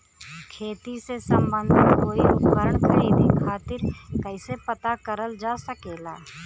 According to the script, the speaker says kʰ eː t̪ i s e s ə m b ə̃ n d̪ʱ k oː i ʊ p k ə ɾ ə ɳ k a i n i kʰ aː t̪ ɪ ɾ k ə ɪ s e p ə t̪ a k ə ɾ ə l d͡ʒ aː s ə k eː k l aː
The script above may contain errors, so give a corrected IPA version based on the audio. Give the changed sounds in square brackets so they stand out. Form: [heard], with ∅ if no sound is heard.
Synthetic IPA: kʰ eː t̪ i s e s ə m b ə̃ n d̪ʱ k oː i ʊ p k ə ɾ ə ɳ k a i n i kʰ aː t̪ ɪ ɾ k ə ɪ s e p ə t̪ a k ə ɾ ə l d͡ʒ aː s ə k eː [∅] l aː

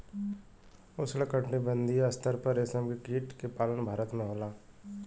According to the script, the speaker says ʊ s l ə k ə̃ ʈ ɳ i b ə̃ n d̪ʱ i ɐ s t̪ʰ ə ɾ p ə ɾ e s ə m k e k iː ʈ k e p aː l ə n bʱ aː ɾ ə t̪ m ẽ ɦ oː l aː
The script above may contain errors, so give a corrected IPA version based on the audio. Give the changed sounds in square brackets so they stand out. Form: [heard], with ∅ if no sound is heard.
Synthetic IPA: ʊ s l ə k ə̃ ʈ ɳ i b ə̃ n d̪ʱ i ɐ s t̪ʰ ə ɾ p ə ɾ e s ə m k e k iː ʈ k e p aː l ə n bʱ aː ɾ ə t̪ m ẽ ɦ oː l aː

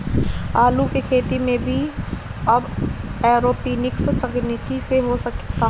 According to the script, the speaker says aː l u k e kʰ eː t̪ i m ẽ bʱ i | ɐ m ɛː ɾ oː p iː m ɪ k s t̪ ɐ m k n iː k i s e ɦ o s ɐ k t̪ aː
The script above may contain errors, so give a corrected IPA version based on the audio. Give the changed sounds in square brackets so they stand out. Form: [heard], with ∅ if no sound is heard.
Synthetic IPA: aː l u k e kʰ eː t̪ i m ẽ bʱ i | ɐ [b] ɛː ɾ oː p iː [n] ɪ k s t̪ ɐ [∅] k n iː k i s e ɦ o s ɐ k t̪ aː

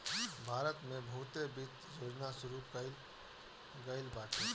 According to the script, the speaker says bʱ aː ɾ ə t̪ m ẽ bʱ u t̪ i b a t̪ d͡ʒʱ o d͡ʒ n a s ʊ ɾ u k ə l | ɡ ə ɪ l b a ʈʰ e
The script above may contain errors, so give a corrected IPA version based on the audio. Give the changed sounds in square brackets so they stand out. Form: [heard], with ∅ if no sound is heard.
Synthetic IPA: bʱ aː ɾ ə t̪ m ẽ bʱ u t̪ [e] b [i] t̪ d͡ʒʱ o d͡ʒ n a s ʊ ɾ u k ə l | ɡ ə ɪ l b a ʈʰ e

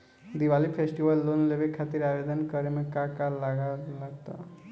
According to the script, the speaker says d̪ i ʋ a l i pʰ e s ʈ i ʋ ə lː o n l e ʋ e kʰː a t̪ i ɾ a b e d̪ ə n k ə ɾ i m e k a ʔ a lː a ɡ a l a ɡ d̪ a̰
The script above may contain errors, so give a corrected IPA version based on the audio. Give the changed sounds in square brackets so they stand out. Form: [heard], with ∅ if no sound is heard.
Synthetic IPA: d̪ i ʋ a l i pʰ e s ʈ i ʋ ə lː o n l e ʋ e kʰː a t̪ i ɾ a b e d̪ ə n k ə ɾ [e] m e k a [k] a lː a ɡ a l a ɡ [t̪] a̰

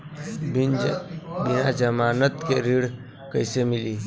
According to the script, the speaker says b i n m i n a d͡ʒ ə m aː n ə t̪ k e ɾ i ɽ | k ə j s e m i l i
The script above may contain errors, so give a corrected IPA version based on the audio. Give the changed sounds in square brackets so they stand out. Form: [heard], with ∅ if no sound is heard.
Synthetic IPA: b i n [b] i n a d͡ʒ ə m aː n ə t̪ k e ɾ i ɽ | k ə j s e m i l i

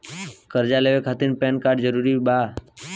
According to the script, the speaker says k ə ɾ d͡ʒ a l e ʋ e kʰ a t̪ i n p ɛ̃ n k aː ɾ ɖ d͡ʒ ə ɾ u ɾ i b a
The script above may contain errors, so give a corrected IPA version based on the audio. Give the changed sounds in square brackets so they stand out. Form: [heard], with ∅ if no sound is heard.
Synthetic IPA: k ə ɾ d͡ʒ a l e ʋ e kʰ a t̪ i n p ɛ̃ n k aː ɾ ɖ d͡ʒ ə ɾ u ɾ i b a

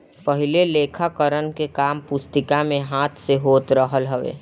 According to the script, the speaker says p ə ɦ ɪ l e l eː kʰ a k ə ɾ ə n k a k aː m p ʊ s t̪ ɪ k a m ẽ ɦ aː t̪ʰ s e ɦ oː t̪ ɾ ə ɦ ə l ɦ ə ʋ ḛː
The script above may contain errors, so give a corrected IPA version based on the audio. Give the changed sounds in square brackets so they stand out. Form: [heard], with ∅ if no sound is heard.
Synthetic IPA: p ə ɦ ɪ l e l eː kʰ a k ə ɾ ə n k [e] k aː m p ʊ s t̪ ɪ k a m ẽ ɦ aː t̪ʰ s e ɦ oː t̪ ɾ ə ɦ ə l ɦ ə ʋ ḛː

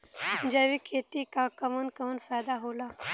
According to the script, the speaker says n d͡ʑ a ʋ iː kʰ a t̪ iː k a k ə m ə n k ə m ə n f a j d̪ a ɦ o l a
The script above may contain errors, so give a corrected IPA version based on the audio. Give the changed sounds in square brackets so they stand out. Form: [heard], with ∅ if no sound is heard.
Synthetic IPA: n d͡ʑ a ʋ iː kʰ [e] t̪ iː k a k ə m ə n k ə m ə n f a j d̪ a ɦ o l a

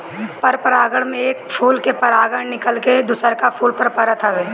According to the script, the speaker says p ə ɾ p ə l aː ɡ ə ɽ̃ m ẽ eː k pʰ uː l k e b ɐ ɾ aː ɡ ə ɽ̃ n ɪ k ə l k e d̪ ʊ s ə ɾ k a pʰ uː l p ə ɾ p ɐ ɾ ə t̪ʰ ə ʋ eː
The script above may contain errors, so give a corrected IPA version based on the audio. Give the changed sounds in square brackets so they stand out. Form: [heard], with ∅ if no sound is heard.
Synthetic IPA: p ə ɾ p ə [ɾ] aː ɡ ə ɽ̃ m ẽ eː k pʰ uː l k e [p] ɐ ɾ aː ɡ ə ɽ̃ n ɪ k ə l k e d̪ ʊ s ə ɾ k a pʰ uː l p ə ɾ p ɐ ɾ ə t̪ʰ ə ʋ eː

